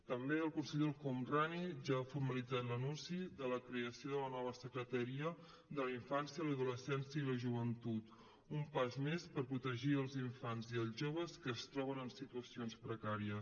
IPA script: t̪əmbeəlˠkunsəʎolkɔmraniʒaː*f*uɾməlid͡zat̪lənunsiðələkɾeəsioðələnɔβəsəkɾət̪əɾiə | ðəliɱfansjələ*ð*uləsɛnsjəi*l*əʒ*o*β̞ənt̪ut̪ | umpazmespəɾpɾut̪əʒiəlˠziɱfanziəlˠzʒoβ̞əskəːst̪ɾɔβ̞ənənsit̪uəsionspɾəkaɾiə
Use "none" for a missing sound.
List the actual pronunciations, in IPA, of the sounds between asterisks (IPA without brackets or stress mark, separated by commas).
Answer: f, ð, l, u